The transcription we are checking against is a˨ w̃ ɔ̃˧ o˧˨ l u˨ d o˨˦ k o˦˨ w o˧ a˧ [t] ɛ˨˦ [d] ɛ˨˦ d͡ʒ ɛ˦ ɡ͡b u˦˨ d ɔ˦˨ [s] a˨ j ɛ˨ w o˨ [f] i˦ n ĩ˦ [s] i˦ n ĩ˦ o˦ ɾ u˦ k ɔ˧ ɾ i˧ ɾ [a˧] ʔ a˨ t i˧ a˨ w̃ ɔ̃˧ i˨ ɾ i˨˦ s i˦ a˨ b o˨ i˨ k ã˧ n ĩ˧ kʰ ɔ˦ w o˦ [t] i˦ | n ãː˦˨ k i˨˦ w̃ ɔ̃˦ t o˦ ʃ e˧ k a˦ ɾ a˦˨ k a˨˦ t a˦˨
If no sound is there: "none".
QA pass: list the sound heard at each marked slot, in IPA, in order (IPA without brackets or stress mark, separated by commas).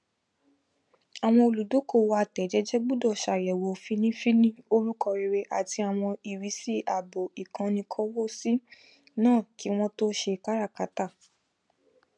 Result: t, d͡ʒ, ʃ, f, f, e˧, s